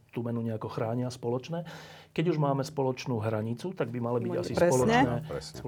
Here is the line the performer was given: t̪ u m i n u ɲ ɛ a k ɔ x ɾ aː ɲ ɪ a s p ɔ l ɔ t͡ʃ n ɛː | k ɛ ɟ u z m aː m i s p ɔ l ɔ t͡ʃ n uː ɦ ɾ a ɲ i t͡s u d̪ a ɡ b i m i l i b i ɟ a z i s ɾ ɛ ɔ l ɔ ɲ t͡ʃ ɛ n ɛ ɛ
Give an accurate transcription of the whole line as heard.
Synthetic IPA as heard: t̪ u m ɛ n u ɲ ɛ a k ɔ x ɾ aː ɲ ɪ a s p ɔ l ɔ t͡ʃ n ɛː | k ɛ ɟ u ʒ m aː m ɛ s p ɔ l ɔ t͡ʃ n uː ɦ ɾ a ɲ i t͡s u t̪ a ɡ b i m a l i b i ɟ a s i s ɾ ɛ ɔ l ɔ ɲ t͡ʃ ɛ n ɛ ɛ